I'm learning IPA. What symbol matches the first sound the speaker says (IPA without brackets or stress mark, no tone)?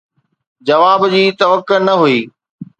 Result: d͡ʑ